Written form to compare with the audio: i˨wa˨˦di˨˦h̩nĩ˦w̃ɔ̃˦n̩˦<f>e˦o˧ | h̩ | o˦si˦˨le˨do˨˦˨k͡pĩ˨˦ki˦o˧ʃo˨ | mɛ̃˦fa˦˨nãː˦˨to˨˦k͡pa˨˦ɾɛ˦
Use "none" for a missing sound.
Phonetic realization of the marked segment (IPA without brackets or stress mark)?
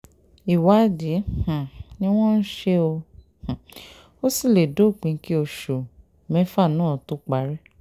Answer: ʃ